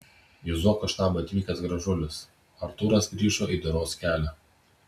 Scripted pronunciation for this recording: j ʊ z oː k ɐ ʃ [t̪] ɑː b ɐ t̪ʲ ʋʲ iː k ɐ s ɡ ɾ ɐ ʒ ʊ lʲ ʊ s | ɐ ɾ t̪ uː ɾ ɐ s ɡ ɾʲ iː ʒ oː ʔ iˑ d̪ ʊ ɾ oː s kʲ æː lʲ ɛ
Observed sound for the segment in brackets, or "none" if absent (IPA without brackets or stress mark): t̪